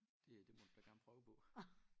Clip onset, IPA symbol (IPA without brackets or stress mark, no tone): d̥